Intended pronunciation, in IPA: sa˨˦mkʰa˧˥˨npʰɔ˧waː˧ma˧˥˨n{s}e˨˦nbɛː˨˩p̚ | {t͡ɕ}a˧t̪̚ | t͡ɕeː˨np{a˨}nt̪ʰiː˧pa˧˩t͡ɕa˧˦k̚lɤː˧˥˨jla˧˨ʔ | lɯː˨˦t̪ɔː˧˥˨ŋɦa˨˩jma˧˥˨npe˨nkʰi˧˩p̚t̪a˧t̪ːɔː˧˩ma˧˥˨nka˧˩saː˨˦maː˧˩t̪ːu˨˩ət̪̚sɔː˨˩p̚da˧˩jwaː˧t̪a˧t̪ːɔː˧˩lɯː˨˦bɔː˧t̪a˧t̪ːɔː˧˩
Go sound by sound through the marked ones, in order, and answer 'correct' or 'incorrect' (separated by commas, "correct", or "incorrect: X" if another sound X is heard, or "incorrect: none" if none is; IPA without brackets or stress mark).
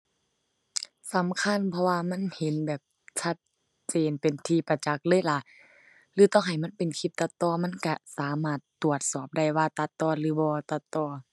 incorrect: h, incorrect: t͡ɕʰ, incorrect: e˨